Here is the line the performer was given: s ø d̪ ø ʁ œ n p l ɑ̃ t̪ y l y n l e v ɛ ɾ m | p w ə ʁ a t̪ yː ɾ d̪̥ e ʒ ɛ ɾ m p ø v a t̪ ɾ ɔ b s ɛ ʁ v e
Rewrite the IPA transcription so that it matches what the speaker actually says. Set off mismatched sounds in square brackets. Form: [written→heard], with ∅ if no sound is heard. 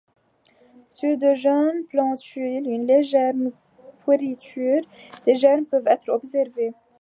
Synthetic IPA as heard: s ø d̪ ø [ʁ→ʒ] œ n p l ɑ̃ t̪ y l y n l e [v→ʒ] ɛ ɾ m | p w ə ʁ [a→i] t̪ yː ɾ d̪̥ e ʒ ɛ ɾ m p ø v [a→ɛ] t̪ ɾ ɔ b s ɛ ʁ v e

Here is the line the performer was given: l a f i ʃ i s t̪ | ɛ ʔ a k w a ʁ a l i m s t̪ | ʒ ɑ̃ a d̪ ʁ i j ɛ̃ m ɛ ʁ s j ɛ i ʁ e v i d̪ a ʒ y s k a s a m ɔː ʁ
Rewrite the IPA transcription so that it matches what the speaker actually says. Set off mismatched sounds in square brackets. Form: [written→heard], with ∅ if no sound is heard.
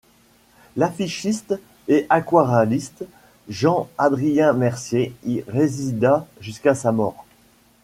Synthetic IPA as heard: l a f i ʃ i s t̪ | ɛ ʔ a k w a ʁ a l i [m→∅] s t̪ | ʒ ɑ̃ a d̪ ʁ i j ɛ̃ m ɛ ʁ s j [ɛ→e] i ʁ e [v→z] i d̪ a ʒ y s k a s a m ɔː ʁ

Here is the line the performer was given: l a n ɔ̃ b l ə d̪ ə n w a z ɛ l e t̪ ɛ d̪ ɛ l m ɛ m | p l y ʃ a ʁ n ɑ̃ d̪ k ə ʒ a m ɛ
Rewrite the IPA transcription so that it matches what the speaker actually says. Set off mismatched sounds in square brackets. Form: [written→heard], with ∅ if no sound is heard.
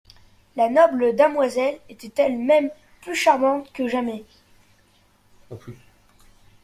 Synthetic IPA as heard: l a n [ɔ̃→ɔ] b l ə d̪ ə [n→m] w a z ɛ l e t̪ ɛ [d̪→t̪] ɛ l m ɛ m | p l y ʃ a ʁ [n→m] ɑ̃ [d̪→t̪] k ə ʒ a m ɛ

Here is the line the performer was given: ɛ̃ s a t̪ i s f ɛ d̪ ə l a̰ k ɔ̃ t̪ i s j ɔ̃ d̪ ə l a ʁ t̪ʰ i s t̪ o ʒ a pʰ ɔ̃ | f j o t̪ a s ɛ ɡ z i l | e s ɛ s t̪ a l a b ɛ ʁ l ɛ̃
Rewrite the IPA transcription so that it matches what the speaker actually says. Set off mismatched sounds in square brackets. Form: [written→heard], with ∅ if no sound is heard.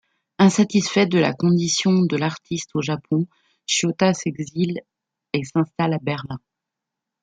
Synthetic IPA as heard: ɛ̃ s a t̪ i s f ɛ d̪ ə l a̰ k ɔ̃ [t̪→d̪] i s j ɔ̃ d̪ ə l a ʁ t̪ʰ i s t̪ o ʒ a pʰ ɔ̃ | [f→ʃ] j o t̪ a s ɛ ɡ z i l | e s [ɛ→ɛ̃] s t̪ a l a b ɛ ʁ l ɛ̃

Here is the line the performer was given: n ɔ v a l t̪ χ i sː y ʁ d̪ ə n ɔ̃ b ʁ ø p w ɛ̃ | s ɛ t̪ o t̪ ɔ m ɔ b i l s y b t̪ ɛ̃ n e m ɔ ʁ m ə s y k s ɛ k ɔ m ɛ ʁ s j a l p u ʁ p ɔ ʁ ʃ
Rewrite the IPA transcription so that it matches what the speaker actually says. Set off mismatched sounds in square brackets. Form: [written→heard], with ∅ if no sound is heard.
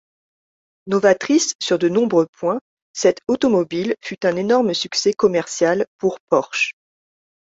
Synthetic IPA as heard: n ɔ v a [l→∅] t̪ χ i sː y ʁ d̪ ə n ɔ̃ b ʁ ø p w ɛ̃ | s ɛ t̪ o t̪ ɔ m ɔ b i l [s→f] y [b→∅] t̪ ɛ̃ n e [m→n] ɔ ʁ m ə s y k s ɛ k ɔ m ɛ ʁ s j a l p u ʁ p ɔ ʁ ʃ

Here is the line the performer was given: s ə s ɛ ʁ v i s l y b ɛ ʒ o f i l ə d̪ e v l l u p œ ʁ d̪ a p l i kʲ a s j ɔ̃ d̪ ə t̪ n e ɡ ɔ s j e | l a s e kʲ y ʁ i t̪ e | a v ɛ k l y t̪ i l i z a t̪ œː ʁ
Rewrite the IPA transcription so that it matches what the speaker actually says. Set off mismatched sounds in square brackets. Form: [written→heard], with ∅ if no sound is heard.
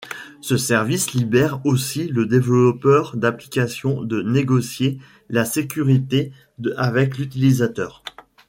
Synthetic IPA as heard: s ə s ɛ ʁ v i s l [y→i] b ɛ [ʒ→ʁ] o [f→s] i l ə d̪ e v l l [u→ɔ] p œ ʁ d̪ a p l i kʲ a s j ɔ̃ d̪ ə [t̪→∅] n e ɡ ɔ s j e | l a s e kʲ y ʁ i t̪ e | a v ɛ k l y t̪ i l i z a t̪ œː ʁ

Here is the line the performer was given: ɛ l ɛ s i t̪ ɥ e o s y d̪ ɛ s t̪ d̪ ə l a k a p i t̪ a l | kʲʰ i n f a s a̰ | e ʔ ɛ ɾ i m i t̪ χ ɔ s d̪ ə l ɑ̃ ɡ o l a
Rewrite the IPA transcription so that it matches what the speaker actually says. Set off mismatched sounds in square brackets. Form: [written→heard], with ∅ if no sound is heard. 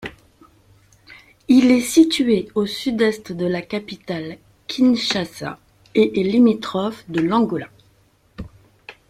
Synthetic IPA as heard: [ɛ→i] l ɛ s i t̪ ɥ e o s y d̪ ɛ s t̪ d̪ ə l a k a p i t̪ a l | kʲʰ i n [f→ʃ] a s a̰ | e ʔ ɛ [ɾ→l] i m i t̪ χ ɔ [s→f] d̪ ə l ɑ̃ ɡ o l a

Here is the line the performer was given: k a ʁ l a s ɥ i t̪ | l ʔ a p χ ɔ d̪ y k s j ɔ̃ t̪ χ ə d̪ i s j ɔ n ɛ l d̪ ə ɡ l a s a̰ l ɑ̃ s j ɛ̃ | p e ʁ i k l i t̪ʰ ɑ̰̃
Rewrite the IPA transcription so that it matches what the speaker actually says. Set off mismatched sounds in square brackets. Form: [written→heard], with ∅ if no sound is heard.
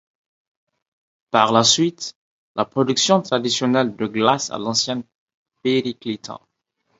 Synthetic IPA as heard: [k→p] a ʁ l a s ɥ i t̪ | l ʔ a p χ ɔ d̪ y k s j ɔ̃ t̪ χ [ə→a] d̪ i s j ɔ n ɛ l d̪ ə ɡ l a s a̰ l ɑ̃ s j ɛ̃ | p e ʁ i k l i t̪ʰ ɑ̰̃

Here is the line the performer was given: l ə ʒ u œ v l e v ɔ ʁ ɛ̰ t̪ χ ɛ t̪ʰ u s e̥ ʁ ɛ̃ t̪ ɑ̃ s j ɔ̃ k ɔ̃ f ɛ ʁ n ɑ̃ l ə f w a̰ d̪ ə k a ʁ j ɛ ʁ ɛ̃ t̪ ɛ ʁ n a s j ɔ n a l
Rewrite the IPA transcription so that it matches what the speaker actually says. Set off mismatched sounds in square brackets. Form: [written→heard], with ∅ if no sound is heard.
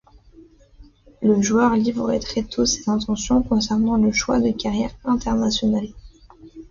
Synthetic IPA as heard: l ə ʒ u œ [v→ʁ] l [e→i] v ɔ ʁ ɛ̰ t̪ χ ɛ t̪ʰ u s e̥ [ʁ→z] ɛ̃ t̪ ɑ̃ s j ɔ̃ k ɔ̃ [f→s] ɛ ʁ n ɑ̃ l ə [f→ʃ] w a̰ d̪ ə k a ʁ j ɛ ʁ ɛ̃ t̪ ɛ ʁ n a s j ɔ n a l

